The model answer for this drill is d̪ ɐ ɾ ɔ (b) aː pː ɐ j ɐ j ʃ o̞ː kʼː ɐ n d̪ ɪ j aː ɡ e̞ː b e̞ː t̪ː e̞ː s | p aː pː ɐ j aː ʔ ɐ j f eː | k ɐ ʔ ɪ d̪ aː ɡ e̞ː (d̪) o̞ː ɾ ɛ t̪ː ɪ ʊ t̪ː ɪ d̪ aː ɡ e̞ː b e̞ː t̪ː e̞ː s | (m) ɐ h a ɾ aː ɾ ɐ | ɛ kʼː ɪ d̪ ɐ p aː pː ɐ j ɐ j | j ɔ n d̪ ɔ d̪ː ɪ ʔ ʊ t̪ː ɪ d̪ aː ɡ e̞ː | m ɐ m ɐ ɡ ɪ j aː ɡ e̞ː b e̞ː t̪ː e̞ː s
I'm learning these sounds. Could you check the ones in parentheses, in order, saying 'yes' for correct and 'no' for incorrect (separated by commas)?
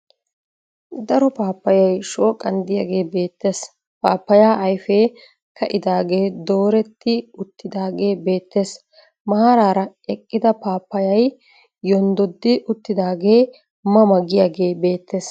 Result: no, yes, yes